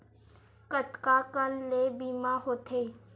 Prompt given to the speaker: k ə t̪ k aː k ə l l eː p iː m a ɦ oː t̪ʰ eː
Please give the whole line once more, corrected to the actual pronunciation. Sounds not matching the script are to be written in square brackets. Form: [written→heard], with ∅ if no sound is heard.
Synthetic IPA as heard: k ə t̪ k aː k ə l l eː [p→b] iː m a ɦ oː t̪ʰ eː